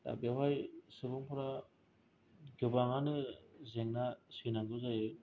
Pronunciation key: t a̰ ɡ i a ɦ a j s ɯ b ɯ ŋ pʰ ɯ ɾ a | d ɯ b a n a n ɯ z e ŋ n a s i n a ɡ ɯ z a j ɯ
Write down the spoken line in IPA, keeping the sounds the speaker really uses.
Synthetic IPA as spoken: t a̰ b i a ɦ a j s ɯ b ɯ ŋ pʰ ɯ ɾ a | ɡ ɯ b a ŋ a n ɯ z e ŋ n a s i n a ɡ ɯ z a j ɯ